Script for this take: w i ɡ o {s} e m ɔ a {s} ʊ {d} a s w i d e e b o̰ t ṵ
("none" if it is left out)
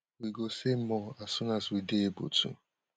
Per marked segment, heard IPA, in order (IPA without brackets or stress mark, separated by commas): s, s, n